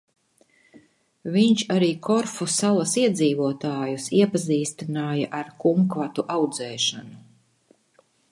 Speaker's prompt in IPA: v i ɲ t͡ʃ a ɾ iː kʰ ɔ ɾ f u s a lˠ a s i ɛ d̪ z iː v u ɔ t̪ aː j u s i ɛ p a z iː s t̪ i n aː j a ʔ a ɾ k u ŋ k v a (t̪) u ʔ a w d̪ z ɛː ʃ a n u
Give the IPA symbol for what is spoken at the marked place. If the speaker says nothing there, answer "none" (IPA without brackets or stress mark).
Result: t̪